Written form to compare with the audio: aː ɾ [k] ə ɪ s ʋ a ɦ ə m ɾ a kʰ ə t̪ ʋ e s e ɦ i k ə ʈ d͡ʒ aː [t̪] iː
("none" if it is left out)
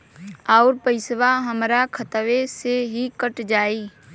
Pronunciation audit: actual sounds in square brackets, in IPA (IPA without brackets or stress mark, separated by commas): p, none